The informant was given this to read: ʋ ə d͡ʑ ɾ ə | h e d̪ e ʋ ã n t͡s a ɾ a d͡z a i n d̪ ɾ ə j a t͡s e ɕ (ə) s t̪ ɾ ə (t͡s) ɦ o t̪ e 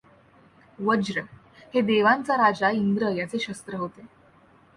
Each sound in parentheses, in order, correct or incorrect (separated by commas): correct, incorrect